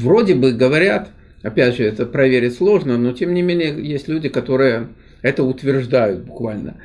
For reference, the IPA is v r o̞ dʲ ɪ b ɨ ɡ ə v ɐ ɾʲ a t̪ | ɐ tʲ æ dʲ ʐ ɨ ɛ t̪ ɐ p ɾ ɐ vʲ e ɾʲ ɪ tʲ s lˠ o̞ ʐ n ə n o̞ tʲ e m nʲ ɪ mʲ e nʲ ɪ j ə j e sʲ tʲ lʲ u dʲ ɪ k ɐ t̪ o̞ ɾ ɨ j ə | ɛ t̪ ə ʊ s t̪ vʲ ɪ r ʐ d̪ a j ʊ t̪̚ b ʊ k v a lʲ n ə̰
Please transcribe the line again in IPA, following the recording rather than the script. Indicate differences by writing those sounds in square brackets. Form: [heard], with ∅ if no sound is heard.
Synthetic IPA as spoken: v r o̞ dʲ ɪ b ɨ ɡ ə v ɐ ɾʲ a t̪ | ɐ [pʲ] æ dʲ ʐ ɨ ɛ t̪ [ə] p ɾ ɐ vʲ e ɾʲ ɪ tʲ s lˠ o̞ ʐ n ə n o̞ tʲ e m nʲ ɪ mʲ e nʲ ɪ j ə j e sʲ tʲ lʲ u dʲ ɪ k ɐ t̪ o̞ ɾ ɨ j ə | ɛ t̪ ə ʊ [∅] t̪ vʲ ɪ r ʐ d̪ a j ʊ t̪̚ b ʊ k v a lʲ n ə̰